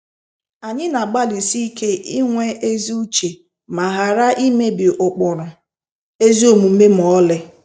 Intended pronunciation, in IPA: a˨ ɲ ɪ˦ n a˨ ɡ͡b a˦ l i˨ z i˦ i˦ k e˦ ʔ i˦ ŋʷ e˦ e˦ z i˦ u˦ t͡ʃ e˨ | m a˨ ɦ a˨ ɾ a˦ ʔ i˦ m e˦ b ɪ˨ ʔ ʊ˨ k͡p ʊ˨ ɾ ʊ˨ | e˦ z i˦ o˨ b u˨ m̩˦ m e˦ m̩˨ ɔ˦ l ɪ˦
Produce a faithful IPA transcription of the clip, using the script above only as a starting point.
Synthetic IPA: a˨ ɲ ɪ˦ n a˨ ɡ͡b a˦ l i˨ s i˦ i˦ k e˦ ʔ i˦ ŋʷ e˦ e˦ z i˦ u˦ t͡ʃ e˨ | m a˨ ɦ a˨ ɾ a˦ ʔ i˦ m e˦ b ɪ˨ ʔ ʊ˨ k͡p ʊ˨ ɾ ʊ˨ | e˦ z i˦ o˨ m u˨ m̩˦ m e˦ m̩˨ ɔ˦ l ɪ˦